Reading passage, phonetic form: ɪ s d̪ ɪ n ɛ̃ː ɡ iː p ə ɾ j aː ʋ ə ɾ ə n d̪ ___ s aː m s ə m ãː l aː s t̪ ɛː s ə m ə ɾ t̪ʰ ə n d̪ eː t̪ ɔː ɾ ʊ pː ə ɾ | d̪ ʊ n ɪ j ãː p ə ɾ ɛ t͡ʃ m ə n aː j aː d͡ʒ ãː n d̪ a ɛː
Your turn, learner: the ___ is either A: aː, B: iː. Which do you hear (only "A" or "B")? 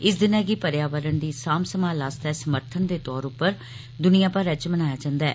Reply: B